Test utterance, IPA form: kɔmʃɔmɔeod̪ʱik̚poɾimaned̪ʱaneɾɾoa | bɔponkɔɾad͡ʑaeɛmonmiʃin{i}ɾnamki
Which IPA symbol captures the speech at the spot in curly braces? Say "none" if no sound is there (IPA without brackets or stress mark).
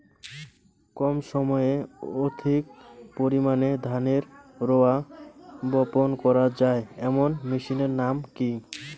e